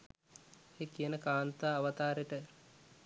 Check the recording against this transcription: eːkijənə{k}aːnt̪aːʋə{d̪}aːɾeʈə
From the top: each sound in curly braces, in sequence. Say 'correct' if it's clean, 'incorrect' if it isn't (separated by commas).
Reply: correct, incorrect